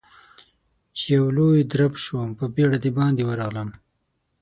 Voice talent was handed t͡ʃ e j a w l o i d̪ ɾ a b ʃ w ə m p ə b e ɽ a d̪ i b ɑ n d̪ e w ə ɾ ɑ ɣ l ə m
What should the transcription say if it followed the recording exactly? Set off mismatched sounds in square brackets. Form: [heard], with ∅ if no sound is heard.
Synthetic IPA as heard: t͡ʃ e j a w l o [j] d̪ ɾ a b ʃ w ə m p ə b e ɽ a d̪ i b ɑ n d̪ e w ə ɾ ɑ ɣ l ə m

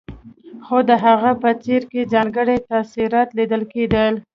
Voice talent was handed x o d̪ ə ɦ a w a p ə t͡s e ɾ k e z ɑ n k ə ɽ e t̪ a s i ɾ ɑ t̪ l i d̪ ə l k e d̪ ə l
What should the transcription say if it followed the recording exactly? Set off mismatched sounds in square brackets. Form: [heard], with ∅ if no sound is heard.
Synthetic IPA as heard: x o d̪ ə ɦ a [ɣ] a p ə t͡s e ɾ k e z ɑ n [ɡ] ə ɽ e t̪ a s i ɾ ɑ t̪ l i d̪ ə l k e d̪ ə l

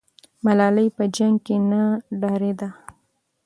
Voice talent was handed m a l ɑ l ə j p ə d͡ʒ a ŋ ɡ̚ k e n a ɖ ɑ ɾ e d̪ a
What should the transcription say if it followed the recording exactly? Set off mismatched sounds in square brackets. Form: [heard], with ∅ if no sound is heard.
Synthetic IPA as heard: m a l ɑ l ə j p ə d͡ʒ a ŋ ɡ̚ k e n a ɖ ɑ ɾ e d̪ a

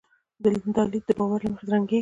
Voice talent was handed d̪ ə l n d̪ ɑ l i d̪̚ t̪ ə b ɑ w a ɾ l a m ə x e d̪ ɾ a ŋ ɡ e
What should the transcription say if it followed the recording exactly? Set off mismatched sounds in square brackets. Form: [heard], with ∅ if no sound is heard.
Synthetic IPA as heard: d̪ ə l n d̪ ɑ l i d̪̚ [d̪] ə b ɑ w a ɾ l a m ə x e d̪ ɾ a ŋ ɡ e

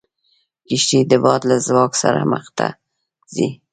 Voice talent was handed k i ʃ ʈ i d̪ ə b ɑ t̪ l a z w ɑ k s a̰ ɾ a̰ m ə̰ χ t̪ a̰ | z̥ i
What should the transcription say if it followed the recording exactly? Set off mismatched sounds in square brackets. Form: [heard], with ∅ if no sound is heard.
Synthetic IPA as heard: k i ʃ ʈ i d̪ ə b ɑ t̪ l a z w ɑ k s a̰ ɾ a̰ m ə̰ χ t̪ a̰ | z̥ i

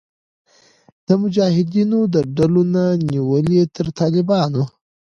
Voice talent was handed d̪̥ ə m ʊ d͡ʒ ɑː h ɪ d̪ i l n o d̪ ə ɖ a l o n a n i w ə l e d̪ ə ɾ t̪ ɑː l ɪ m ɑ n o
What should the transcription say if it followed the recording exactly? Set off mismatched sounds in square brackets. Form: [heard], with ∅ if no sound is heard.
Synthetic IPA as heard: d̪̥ ə m ʊ d͡ʒ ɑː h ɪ d̪ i [∅] n o d̪ ə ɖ a l o n a n i w ə l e [t̪] ə ɾ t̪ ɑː l ɪ [b] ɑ n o

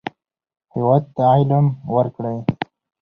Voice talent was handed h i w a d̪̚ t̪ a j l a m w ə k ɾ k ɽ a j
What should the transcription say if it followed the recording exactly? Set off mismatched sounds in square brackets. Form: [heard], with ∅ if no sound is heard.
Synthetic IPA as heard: h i w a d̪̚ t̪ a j l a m w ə [∅] ɾ k ɽ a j

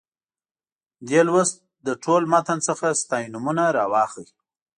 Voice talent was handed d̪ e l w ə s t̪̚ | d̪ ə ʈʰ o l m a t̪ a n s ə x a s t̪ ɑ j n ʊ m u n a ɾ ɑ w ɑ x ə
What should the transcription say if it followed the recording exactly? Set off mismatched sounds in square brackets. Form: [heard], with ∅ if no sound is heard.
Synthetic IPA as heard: d̪ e l w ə s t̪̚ | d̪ ə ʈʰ o l m a t̪ a n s ə x a s t̪ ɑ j n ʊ m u n a ɾ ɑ w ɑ x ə

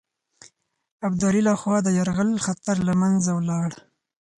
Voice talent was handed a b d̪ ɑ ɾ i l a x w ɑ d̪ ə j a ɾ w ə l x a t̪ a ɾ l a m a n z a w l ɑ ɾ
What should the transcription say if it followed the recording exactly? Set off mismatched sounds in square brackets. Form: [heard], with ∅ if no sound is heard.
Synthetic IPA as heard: a b d̪ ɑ ɾ i l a x w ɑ d̪ ə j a ɾ [ɣ] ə l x a t̪ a ɾ l a m a n z a w l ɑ [ɽ]

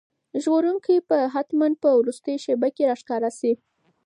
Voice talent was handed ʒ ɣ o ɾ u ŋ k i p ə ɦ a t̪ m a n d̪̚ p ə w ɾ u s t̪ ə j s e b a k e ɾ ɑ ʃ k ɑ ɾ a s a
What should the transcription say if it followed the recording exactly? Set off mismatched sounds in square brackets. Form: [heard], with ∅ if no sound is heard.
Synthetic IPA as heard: ʒ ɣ o ɾ u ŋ k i p ə ɦ a t̪ m a n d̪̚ p ə w ɾ u s t̪ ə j [ʃ] e b a k e ɾ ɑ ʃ k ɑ ɾ a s [i]

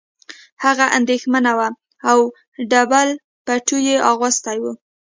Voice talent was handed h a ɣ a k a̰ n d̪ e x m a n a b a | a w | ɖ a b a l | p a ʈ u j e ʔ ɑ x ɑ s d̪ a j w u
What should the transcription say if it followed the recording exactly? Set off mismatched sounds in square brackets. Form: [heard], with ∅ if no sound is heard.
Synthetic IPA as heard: h a ɣ a [ʔ] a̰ n d̪ e x m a n a [w] a | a w | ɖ a b a l | p a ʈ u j e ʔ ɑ [ɣ] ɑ s [t̪] a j w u

